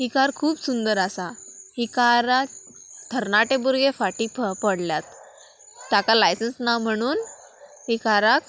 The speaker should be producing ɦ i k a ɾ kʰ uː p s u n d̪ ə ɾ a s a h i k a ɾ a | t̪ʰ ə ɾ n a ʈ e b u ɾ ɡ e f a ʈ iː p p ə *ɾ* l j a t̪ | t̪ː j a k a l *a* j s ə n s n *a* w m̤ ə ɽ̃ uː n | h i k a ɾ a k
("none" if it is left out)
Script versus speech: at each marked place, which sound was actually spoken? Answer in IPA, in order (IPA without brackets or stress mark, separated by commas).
ɽ, a, a